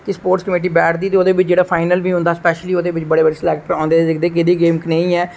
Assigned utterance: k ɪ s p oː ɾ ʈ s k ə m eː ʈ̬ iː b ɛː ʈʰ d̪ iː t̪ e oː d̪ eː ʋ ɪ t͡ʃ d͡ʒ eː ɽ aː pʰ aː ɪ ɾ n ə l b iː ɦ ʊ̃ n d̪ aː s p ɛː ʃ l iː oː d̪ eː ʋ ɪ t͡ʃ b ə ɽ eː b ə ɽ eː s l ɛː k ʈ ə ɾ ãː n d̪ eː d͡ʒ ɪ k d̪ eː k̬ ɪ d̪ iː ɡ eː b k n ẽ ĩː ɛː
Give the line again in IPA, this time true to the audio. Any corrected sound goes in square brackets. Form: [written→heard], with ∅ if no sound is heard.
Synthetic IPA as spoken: k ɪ s p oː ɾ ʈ s k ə m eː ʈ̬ iː b ɛː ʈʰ d̪ iː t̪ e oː d̪ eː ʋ ɪ t͡ʃ d͡ʒ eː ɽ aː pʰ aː ɪ [ɾ→∅] n ə l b iː ɦ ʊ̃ n d̪ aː s p ɛː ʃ l iː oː d̪ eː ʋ ɪ t͡ʃ b ə ɽ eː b ə ɽ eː s l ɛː k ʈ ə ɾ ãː n d̪ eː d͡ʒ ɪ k d̪ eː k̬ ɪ d̪ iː ɡ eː [b→m] k n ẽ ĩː ɛː